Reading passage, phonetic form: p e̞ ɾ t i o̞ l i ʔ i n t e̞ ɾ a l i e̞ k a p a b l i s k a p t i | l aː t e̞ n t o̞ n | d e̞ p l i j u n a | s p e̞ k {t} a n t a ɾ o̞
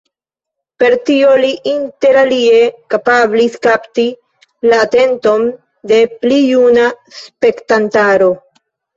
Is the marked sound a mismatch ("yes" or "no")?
no